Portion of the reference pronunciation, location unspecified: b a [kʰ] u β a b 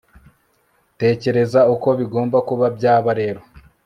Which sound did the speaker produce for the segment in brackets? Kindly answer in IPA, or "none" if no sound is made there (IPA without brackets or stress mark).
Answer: k